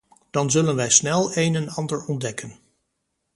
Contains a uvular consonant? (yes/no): no